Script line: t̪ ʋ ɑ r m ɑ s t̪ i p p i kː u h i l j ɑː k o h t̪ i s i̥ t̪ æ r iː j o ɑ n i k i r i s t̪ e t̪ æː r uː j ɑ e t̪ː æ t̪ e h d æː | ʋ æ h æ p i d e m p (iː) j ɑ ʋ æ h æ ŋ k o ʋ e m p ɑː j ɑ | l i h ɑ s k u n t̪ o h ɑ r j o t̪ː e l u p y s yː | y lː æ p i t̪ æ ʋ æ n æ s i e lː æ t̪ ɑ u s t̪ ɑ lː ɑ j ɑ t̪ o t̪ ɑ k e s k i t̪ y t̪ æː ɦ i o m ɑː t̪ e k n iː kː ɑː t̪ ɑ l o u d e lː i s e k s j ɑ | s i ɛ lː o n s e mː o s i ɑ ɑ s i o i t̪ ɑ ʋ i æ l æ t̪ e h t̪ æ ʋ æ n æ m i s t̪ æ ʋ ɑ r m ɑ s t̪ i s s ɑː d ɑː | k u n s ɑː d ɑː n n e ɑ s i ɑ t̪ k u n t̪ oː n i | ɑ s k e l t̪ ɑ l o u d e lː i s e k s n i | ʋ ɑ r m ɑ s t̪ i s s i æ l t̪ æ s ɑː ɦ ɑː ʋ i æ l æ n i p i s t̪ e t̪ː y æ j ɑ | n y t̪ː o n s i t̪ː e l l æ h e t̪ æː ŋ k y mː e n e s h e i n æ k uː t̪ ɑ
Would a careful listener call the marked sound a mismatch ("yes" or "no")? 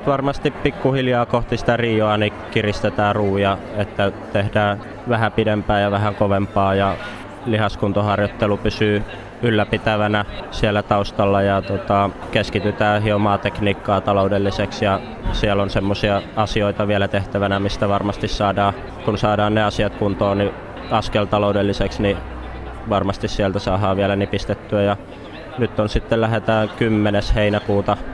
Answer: yes